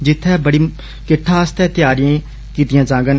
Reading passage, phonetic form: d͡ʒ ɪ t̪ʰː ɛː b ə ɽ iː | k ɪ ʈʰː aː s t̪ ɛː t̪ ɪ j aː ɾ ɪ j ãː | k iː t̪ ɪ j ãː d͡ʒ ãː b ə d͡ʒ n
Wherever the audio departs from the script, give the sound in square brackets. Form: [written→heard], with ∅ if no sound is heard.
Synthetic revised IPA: d͡ʒ ɪ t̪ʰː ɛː b ə ɽ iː | k ɪ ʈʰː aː s t̪ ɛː t̪ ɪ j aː ɾ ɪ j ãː | k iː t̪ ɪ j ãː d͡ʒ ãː [b→ɡ] ə [d͡ʒ→∅] n